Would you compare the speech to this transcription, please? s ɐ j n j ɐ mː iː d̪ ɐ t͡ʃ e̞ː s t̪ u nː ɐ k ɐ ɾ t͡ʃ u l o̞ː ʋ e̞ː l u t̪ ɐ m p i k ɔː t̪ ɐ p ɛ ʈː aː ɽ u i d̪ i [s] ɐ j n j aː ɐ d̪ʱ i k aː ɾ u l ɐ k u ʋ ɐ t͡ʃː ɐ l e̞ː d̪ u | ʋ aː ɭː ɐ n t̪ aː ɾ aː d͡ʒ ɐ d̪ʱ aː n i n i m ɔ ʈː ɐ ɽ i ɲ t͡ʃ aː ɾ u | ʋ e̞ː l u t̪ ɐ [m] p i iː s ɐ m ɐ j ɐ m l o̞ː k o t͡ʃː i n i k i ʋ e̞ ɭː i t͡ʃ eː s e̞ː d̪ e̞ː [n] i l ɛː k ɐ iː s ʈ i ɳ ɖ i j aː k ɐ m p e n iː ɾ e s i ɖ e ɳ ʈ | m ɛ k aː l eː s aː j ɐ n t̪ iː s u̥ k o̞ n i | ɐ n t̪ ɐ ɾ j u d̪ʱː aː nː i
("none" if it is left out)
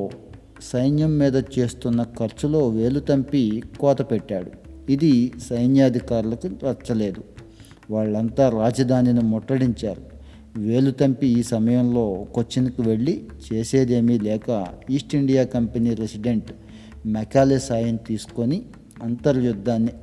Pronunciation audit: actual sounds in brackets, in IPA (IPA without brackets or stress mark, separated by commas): s, m, m